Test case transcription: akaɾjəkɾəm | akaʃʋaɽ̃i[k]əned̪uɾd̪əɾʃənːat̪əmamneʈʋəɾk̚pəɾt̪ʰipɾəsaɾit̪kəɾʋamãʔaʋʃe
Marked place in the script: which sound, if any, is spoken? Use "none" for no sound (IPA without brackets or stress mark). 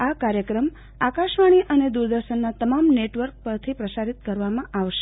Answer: ʔ